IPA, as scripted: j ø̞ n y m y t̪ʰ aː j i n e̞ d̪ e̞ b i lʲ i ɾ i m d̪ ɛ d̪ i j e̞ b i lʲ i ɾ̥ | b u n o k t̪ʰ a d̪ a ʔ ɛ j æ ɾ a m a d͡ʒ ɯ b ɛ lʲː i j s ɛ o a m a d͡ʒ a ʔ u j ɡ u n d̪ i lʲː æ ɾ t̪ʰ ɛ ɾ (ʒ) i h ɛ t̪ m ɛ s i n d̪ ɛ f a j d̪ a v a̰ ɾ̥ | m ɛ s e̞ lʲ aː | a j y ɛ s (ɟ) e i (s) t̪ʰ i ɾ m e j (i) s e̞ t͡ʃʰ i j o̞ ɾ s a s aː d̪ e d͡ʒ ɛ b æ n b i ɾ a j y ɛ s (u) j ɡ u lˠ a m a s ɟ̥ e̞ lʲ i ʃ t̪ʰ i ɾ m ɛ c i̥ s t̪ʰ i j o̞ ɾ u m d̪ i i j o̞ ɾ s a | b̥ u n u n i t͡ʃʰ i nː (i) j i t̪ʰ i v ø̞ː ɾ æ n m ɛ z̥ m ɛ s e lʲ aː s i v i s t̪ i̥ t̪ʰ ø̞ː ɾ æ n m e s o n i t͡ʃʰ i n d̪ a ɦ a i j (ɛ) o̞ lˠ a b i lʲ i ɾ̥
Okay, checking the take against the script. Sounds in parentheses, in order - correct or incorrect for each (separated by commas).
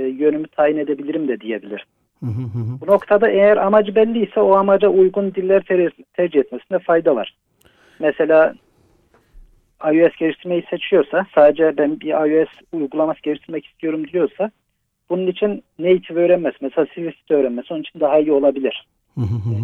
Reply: incorrect, correct, incorrect, correct, correct, incorrect, incorrect